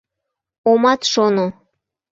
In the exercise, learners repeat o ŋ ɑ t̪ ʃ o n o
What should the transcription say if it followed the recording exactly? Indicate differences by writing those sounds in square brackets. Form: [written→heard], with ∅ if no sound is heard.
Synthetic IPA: o [ŋ→m] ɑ t̪ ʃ o n o